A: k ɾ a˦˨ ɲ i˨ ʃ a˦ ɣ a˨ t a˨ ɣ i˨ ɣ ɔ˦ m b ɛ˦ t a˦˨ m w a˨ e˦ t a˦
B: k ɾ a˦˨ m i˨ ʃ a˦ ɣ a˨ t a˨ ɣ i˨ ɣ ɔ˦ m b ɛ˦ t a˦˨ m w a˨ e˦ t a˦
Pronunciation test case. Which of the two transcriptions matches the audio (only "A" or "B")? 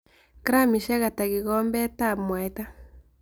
B